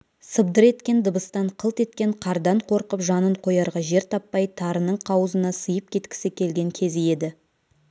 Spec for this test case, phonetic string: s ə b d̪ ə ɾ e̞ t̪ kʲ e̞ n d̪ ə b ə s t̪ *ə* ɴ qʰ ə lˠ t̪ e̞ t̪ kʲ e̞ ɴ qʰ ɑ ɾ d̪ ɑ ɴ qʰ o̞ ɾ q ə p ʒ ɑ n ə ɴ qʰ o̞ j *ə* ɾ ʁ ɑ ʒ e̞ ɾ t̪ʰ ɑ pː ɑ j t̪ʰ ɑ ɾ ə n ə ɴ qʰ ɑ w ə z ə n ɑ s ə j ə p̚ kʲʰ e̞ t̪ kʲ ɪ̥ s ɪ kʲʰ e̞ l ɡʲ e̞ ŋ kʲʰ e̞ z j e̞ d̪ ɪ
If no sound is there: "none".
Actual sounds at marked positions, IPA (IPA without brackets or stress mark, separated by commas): ɑ, ɑ